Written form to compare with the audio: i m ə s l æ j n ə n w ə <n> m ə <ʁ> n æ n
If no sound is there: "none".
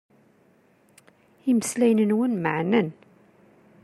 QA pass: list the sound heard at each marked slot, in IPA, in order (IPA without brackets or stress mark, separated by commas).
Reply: n, ʕ